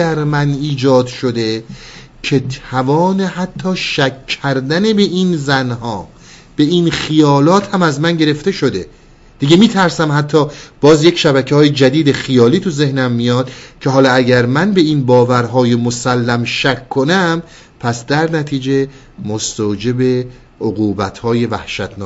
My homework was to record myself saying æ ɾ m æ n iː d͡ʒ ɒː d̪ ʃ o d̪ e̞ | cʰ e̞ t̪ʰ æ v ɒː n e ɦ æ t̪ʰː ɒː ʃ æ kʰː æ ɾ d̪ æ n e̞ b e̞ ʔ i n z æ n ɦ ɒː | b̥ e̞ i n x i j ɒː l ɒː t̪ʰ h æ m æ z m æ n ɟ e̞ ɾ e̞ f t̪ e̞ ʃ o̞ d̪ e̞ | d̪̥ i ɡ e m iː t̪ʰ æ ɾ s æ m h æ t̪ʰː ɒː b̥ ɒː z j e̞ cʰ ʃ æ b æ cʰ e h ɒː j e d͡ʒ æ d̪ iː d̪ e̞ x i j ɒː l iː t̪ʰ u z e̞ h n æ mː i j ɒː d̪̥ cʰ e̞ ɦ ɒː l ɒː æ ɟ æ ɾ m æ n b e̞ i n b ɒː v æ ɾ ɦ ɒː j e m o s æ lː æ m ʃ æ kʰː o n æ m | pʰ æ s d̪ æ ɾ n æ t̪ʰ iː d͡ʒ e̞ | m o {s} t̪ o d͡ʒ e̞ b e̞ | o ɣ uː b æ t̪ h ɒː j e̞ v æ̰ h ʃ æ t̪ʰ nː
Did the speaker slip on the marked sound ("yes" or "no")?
no